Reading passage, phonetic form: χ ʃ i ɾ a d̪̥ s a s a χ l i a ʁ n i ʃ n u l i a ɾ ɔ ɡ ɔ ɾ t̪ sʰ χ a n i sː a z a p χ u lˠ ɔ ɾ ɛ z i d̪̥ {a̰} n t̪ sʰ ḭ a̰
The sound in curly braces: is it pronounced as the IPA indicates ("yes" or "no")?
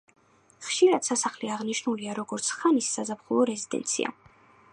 no